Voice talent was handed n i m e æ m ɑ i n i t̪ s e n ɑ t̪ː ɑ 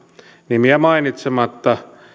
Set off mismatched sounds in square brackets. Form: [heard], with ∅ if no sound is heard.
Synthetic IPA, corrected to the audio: n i m [i] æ m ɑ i n i t̪ s e [m] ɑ t̪ː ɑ

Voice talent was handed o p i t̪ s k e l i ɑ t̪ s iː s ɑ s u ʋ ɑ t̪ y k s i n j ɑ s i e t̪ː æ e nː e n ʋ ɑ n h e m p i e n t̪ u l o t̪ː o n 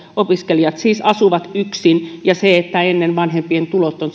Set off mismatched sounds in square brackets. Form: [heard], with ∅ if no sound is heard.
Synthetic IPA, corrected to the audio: o p i [∅] s k e l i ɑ t̪ s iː s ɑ s u ʋ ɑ t̪ y k s i n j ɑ s [e] e t̪ː æ e nː e n ʋ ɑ n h e m p i e n t̪ u l o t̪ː o n

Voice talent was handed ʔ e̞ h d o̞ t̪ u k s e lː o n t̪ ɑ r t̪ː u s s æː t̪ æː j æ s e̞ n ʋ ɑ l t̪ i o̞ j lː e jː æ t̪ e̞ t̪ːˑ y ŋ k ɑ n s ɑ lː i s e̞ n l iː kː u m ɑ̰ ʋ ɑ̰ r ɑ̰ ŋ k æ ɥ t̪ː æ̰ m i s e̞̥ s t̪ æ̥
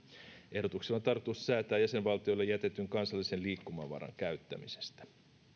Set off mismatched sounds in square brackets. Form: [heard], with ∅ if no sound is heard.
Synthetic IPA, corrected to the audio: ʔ e̞ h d o̞ t̪ u k s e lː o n t̪ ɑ r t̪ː u s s æː t̪ æː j æ s e̞ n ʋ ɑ l t̪ i o̞ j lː e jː æ t̪ e̞ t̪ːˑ y ŋ k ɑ n s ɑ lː i s e̞ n l iː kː u m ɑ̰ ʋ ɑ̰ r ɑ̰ ŋ k æ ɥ t̪ː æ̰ m i s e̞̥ s t̪ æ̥

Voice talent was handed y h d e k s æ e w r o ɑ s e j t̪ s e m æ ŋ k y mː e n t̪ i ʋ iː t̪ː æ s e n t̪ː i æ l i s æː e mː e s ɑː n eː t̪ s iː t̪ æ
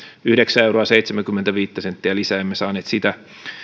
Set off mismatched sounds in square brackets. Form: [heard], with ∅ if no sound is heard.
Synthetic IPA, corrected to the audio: y h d e k s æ e w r o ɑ s e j t̪ s e m æ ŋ k y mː e n t̪ [æ] ʋ iː t̪ː æ s e n t̪ː i æ l i s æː e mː e s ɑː n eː t̪ s [i] t̪ æ

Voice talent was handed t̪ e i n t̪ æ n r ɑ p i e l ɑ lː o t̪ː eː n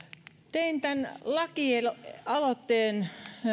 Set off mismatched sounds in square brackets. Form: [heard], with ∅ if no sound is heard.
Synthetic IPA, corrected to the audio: t̪ e i n t̪ æ n [l] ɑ [k] i e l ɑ [l] o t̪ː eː n

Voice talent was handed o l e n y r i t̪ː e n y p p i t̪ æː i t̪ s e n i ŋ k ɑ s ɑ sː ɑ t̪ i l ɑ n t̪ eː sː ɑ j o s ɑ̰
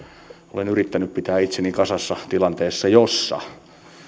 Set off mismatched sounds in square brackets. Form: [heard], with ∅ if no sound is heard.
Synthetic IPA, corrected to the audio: o l e n y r i t̪ː [æ] n y p p i t̪ æː i t̪ s e n i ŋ k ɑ s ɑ sː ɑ t̪ i l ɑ n t̪ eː sː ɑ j o [sː] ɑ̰

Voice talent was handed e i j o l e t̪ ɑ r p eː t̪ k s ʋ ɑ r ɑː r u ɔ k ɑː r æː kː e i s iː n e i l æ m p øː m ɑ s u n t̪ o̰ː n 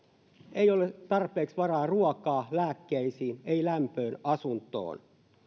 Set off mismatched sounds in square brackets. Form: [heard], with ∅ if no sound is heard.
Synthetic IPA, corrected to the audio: e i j o l e t̪ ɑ r p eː [∅] k s ʋ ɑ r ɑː r u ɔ k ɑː [l] æː kː e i s iː n e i l æ m p øː [n] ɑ s u n t̪ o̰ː n

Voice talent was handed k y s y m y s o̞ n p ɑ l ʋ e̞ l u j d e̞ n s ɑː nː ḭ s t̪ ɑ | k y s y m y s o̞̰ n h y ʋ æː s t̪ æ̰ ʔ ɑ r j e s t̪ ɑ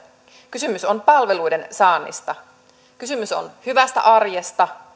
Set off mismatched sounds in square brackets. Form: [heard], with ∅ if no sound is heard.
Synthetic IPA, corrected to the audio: k y s y m y s o̞ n p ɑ l ʋ e̞ l u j d e̞ n s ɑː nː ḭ s t̪ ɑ | k y s y m y s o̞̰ n h y ʋ [æ] s t̪ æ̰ ʔ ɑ r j e s t̪ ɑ

